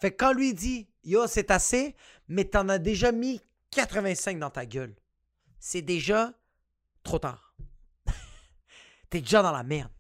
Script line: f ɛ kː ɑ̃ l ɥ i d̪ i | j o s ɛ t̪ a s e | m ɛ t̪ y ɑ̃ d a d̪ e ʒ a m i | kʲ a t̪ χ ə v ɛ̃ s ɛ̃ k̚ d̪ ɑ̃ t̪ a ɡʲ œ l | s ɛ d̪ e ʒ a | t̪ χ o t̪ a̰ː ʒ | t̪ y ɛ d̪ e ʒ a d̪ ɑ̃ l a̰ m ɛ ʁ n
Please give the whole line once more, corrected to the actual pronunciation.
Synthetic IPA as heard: f ɛ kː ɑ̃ l ɥ i d̪ i | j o s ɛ t̪ a s e | m ɛ t̪ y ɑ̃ n a d̪ e ʒ a m i | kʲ a t̪ χ ə v ɛ̃ s ɛ̃ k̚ d̪ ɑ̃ t̪ a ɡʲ œ l | s ɛ d̪ e ʒ a | t̪ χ o t̪ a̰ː ʁ | t̪ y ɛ d̪ e ʒ a d̪ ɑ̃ l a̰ m ɛ ʁ n